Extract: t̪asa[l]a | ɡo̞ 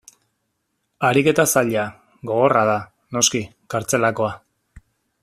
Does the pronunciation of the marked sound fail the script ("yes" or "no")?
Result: yes